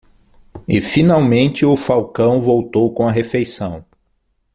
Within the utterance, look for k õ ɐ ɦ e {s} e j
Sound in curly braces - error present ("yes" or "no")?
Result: yes